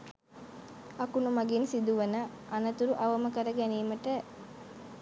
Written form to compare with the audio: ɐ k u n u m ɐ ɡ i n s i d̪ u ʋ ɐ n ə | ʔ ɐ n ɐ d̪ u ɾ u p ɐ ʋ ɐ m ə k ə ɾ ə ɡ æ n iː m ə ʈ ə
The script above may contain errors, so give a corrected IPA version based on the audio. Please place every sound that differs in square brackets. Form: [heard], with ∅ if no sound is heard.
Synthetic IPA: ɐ k u n u m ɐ ɡ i n s i d̪ u ʋ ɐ n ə | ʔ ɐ n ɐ [t̪] u ɾ u [ʔ] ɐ ʋ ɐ m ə k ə ɾ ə ɡ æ n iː m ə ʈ ə